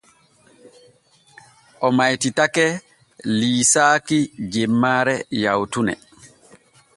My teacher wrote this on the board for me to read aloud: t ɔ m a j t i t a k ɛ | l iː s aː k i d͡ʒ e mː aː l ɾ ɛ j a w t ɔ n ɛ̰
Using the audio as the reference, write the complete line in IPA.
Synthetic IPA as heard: ʔ ɔ m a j t i t a k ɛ | l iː s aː k i d͡ʒ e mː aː ɾ ɛ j a w t u n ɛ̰